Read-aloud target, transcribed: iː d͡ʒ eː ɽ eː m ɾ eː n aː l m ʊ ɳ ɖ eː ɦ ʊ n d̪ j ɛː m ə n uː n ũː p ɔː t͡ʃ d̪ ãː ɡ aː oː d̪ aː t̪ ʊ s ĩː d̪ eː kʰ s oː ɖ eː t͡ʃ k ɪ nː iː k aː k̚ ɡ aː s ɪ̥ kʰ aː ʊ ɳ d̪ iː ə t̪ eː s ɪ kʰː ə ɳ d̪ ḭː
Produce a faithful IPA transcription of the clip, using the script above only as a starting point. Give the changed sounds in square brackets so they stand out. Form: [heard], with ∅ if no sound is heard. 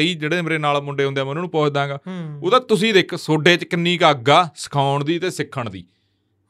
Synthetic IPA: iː d͡ʒ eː ɽ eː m ɾ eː n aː l m ʊ ɳ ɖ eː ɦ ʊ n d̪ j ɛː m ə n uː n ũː p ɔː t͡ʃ d̪ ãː ɡ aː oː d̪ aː t̪ ʊ s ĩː d̪ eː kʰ s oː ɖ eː t͡ʃ k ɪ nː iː k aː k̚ ɡ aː s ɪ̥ kʰ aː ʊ ɳ d̪ iː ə t̪ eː s ɪ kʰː ə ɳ d̪ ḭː